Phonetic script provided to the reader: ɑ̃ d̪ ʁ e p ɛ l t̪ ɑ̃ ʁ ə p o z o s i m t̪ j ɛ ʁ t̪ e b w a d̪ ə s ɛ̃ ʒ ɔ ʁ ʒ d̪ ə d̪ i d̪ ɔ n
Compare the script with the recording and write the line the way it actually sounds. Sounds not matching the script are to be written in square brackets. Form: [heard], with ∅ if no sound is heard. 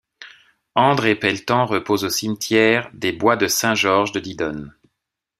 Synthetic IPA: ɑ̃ d̪ ʁ e p ɛ l t̪ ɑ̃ ʁ ə p o z o s i m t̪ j ɛ ʁ [d̪] e b w a d̪ ə s ɛ̃ ʒ ɔ ʁ ʒ d̪ ə d̪ i d̪ ɔ n

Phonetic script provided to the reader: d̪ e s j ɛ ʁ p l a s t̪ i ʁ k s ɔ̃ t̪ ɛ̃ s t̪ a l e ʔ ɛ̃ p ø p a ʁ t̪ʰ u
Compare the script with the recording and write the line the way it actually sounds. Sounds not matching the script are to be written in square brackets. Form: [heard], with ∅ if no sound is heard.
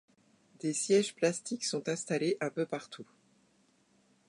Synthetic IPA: d̪ e s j ɛ [ʒ] p l a s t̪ i [∅] k s ɔ̃ t̪ ɛ̃ s t̪ a l e ʔ ɛ̃ p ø p a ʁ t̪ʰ u

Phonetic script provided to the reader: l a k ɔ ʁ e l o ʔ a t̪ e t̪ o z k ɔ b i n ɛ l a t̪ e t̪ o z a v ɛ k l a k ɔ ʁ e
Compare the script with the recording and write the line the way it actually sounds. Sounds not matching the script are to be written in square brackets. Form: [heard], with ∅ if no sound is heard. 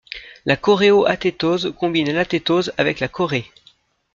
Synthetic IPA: l a k ɔ ʁ e [∅] o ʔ a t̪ e t̪ o z k [ɔ̃] b i n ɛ l a t̪ e t̪ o z a v ɛ k l a k ɔ ʁ e

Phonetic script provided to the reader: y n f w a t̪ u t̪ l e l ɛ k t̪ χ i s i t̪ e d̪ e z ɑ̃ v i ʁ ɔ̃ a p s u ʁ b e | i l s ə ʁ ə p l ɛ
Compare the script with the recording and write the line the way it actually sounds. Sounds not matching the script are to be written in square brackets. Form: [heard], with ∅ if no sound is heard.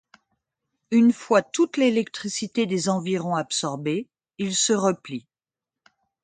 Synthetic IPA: y n f w a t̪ u t̪ l e l ɛ k t̪ χ i s i t̪ e d̪ e z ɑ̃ v i ʁ ɔ̃ a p s [ɔ] ʁ b e | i l s ə ʁ ə p l [i]

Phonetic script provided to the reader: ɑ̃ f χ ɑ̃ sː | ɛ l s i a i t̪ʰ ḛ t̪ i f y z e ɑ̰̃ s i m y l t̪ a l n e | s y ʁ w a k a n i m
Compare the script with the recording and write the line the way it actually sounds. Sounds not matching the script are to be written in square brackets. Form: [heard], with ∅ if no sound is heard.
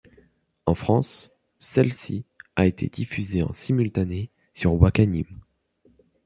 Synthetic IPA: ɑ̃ f χ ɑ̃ sː | ɛ l s i a [e] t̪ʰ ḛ [d̪] i f y z e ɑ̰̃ s i m y l t̪ a [∅] n e | s y ʁ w a k a n i m

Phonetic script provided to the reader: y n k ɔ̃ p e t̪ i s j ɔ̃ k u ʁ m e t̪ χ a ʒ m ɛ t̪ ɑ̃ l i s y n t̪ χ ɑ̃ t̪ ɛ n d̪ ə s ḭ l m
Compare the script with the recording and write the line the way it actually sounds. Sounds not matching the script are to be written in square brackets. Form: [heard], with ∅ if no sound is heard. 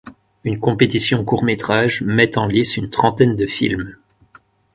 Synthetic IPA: y n k ɔ̃ p e t̪ i s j ɔ̃ k u ʁ m e t̪ χ a ʒ m ɛ t̪ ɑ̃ l i s y n t̪ χ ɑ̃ t̪ ɛ n d̪ ə [f] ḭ l m

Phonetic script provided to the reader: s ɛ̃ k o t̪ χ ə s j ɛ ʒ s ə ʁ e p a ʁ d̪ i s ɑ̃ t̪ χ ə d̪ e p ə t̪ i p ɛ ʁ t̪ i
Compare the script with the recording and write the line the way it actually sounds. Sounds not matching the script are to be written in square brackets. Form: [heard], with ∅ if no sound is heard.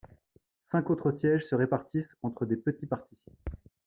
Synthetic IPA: s ɛ̃ k o t̪ χ ə s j ɛ ʒ s ə ʁ e p a ʁ [t̪] i s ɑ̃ t̪ χ ə d̪ e p ə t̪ i p [a] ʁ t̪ i

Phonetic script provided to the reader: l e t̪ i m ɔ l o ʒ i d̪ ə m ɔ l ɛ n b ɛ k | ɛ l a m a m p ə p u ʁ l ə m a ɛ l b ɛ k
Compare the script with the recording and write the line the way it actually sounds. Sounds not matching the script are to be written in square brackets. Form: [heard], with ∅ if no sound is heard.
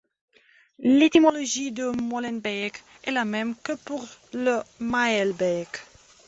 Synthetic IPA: l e t̪ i m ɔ l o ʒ i d̪ ə m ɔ l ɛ n b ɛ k | ɛ l a m [ɛ] m [k] ə p u ʁ l ə m a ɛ l b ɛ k

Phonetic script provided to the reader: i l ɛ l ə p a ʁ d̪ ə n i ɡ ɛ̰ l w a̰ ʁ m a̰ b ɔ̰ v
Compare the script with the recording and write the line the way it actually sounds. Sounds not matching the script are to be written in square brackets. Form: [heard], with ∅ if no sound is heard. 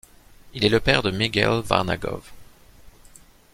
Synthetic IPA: i l ɛ l ə p [ɛ] ʁ d̪ ə [m] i ɡ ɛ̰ l [v] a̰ ʁ [n] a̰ [ɡ] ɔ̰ v

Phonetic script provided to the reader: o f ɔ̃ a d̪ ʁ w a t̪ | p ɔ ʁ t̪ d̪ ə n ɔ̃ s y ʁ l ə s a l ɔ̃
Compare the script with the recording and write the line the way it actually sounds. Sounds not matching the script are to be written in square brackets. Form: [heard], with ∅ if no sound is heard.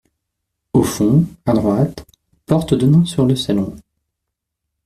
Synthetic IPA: o f ɔ̃ a d̪ ʁ w a t̪ | p ɔ ʁ t̪ d̪ ə n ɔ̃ s y ʁ l ə s a l ɔ̃

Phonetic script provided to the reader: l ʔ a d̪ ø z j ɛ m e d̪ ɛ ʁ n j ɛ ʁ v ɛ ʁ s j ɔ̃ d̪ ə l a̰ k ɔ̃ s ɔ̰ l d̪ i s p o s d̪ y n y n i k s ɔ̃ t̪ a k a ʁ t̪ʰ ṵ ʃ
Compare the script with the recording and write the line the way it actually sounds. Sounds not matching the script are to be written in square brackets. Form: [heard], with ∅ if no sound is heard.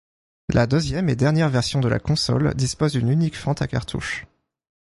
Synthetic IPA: l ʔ a d̪ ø z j ɛ m e d̪ ɛ ʁ n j ɛ ʁ v ɛ ʁ s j ɔ̃ d̪ ə l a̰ k ɔ̃ s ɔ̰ l d̪ i s p o [z] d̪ y n y n i k [f] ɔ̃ t̪ a k a ʁ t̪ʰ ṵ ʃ

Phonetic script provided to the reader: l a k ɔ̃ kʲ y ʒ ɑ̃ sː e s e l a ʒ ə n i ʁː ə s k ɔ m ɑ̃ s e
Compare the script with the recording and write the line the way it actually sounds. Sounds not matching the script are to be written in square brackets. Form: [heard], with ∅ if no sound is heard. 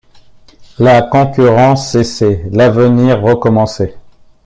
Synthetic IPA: l a k ɔ̃ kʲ y [ʁ] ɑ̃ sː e s e l a [v] ə n i ʁː ə [∅] k ɔ m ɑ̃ s e

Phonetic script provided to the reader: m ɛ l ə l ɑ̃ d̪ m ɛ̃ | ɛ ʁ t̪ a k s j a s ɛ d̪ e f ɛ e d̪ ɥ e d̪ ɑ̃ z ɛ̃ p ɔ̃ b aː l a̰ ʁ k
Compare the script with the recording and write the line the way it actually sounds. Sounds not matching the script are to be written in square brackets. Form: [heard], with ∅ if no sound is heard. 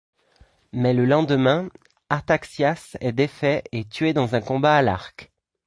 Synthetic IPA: m ɛ l ə l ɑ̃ d̪ m ɛ̃ | [a] ʁ t̪ a k s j a s ɛ d̪ e f ɛ e [t̪] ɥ e d̪ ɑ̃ z ɛ̃ [k] ɔ̃ b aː l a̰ ʁ k

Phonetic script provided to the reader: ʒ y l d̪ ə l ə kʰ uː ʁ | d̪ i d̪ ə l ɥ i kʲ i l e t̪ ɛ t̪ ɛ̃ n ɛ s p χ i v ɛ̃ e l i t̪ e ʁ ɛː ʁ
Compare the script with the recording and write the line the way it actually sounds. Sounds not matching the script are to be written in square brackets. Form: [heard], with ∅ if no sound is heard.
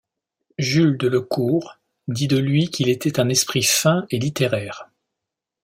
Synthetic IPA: ʒ y l d̪ ə l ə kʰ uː ʁ | d̪ i d̪ ə l ɥ i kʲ i l e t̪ ɛ t̪ ɛ̃ n ɛ s p χ i [f] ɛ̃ e l i t̪ e ʁ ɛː ʁ

